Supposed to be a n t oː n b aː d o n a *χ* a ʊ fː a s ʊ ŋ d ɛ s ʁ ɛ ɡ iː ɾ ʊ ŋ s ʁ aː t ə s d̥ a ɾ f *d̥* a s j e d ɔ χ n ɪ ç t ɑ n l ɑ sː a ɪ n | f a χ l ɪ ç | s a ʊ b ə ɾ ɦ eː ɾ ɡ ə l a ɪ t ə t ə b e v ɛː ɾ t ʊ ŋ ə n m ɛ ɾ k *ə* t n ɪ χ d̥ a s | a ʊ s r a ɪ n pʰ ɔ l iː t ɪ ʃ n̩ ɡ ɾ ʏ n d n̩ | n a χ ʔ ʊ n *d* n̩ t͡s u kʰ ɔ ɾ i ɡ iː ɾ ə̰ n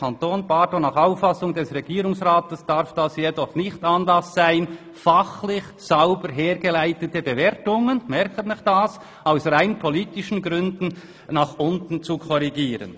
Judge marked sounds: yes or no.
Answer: yes, yes, yes, no

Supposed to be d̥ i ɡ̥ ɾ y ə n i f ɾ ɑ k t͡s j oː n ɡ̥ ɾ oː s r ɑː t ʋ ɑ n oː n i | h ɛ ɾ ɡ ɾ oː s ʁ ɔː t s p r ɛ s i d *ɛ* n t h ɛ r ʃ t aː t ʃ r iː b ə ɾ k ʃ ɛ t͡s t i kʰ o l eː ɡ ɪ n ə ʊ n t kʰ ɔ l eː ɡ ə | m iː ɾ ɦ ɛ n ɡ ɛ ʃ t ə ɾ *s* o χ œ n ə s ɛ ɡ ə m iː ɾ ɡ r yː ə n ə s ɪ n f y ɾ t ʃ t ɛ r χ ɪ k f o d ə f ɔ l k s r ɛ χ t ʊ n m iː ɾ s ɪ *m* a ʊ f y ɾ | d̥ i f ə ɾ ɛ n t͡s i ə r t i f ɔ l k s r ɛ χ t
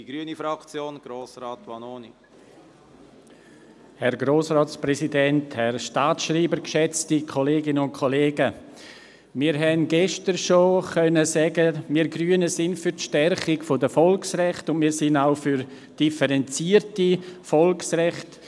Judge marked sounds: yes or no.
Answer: yes, no, no

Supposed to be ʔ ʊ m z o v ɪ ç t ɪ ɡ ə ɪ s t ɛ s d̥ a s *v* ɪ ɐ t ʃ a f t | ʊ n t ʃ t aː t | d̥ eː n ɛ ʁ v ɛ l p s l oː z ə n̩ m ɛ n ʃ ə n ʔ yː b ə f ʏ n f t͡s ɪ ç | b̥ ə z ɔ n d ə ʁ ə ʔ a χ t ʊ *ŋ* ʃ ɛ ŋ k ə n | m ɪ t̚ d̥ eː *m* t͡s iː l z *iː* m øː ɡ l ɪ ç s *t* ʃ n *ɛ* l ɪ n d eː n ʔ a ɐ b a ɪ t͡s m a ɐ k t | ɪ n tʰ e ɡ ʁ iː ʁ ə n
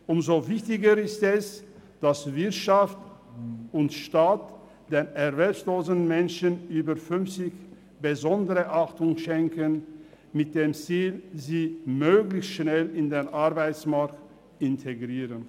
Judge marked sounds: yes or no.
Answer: yes, yes, yes, yes, yes, yes

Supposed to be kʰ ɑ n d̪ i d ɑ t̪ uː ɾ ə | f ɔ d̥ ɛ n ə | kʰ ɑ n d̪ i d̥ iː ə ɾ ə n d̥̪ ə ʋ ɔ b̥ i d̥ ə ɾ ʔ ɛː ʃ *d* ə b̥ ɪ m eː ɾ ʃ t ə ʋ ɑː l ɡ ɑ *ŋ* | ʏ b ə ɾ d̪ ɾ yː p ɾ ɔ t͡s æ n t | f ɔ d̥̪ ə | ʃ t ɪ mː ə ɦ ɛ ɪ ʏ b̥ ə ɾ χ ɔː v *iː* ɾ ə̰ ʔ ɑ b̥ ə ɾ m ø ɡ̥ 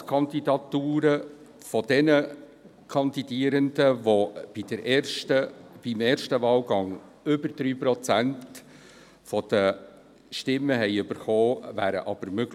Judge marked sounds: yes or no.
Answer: no, yes, no

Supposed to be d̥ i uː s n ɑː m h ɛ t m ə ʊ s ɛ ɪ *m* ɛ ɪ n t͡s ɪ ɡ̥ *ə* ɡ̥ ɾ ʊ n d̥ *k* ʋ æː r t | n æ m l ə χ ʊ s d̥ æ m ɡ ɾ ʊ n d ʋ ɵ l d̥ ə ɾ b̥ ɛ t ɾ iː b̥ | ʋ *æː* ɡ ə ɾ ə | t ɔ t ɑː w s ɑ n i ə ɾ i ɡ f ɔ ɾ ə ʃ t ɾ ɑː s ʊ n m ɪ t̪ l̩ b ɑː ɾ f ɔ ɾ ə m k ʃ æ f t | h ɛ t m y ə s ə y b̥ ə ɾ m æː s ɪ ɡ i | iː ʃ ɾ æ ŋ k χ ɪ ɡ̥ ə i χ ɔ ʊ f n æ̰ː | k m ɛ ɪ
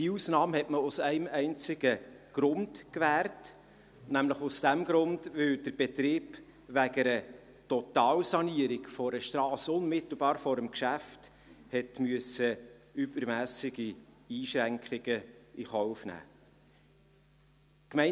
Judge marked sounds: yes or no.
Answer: yes, yes, yes, no

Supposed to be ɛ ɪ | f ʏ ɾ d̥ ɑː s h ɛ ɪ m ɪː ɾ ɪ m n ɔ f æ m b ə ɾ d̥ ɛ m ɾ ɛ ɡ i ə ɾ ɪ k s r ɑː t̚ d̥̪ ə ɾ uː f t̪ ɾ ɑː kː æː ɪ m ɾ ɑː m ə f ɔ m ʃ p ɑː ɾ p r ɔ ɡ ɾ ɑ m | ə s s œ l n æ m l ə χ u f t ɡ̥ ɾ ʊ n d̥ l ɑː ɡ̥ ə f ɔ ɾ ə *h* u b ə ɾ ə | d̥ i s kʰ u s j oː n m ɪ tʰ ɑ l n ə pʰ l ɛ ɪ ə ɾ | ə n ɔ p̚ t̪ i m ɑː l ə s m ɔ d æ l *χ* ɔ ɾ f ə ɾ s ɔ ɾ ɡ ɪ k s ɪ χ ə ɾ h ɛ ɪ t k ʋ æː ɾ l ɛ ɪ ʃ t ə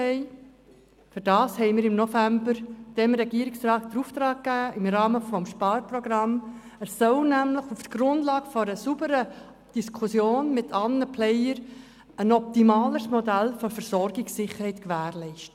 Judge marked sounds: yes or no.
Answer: no, no

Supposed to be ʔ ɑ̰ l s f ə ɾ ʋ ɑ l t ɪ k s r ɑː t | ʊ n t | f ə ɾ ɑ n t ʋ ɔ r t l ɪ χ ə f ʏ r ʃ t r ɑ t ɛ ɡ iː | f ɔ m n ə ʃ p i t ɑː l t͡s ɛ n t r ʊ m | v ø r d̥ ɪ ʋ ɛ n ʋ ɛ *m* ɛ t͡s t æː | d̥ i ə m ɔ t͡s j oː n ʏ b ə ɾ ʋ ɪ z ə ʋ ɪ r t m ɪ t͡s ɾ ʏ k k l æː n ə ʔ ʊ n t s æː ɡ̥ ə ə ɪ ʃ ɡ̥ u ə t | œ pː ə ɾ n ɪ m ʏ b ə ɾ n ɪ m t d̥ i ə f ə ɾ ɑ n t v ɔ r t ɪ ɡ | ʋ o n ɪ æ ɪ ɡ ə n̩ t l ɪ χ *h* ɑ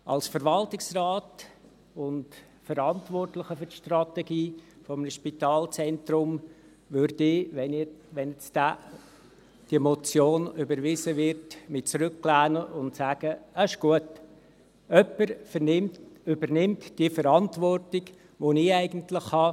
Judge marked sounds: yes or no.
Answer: no, yes

